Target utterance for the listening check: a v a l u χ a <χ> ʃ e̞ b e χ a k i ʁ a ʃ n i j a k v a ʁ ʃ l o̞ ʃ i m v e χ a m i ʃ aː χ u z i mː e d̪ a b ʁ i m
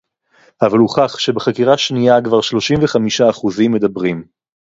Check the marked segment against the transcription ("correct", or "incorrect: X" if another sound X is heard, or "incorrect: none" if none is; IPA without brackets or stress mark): correct